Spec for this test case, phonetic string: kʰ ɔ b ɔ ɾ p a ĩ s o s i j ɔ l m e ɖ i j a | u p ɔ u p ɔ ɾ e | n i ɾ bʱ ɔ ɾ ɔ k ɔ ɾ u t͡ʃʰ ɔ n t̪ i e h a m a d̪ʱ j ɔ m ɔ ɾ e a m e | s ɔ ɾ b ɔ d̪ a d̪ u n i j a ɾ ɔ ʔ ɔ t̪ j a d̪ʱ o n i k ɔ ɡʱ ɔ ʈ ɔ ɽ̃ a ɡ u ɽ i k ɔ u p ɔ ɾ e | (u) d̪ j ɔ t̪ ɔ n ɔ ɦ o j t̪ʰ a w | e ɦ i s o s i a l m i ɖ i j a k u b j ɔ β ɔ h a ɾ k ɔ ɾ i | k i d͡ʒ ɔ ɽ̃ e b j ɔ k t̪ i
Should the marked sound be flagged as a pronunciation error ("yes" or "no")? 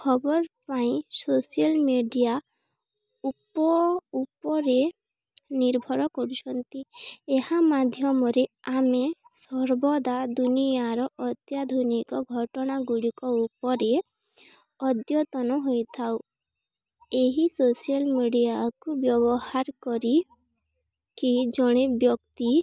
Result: yes